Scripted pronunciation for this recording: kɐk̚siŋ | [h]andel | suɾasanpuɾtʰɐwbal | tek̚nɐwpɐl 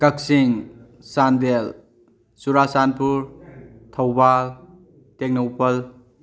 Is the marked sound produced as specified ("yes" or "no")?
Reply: no